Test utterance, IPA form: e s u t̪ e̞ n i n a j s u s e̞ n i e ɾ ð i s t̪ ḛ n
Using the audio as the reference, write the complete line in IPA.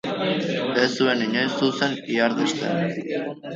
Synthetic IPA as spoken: e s u e̞ n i ɲ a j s u s e̞ n i a ɾ ð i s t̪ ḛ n